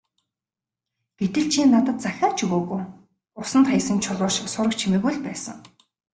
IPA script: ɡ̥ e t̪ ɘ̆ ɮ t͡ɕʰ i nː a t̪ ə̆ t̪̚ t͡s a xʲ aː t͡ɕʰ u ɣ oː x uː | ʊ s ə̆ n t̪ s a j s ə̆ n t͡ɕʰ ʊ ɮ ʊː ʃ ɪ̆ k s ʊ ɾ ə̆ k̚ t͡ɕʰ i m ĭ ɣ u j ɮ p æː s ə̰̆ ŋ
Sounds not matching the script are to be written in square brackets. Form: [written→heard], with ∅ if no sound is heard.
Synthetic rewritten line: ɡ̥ e t̪ ɘ̆ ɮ t͡ɕʰ i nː a t̪ ə̆ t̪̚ t͡s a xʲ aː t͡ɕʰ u ɣ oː [x→ɣ] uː | ʊ s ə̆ n t̪ [s→χ] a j s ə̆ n t͡ɕʰ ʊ ɮ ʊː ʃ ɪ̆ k s ʊ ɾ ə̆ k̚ t͡ɕʰ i m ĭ ɣ u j ɮ p æː s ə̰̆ ŋ